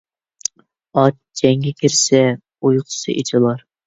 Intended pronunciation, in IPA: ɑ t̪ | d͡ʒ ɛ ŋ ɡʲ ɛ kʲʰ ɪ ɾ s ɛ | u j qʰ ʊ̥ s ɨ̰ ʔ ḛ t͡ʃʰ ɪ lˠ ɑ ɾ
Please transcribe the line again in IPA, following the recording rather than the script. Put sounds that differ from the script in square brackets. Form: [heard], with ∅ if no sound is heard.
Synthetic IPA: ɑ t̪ | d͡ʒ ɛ ŋ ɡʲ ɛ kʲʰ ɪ ɾ s ɛ | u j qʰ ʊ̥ s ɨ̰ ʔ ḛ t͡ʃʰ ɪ lˠ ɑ ɾ